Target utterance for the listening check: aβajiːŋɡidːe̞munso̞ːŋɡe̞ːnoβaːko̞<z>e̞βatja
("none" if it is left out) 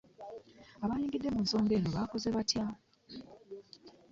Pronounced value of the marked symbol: z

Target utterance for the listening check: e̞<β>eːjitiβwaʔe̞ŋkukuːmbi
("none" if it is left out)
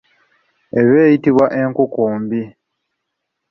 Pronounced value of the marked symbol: β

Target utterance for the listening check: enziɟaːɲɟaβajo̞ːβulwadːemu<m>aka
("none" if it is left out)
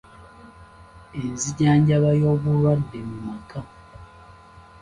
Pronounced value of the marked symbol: m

